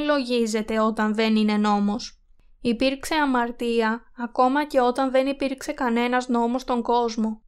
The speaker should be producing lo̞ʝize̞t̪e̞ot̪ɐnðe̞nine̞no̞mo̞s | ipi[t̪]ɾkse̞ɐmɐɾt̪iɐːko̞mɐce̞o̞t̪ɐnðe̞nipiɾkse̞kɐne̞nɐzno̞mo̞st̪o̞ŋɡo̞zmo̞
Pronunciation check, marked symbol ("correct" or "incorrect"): incorrect